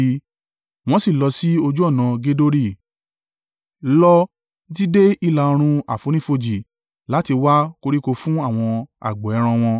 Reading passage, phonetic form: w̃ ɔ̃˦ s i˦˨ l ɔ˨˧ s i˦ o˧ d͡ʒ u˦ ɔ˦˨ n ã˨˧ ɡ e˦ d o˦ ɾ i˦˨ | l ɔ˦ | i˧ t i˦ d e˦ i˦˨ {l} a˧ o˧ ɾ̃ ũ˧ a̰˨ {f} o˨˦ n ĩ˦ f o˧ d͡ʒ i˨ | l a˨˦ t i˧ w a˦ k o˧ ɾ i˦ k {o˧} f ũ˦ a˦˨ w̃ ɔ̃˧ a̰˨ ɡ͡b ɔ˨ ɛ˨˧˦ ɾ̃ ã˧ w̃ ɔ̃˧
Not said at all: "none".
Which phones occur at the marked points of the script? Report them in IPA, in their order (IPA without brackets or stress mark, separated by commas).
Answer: l, f, o˧